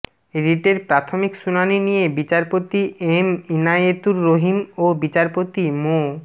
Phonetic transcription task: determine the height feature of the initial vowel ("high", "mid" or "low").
high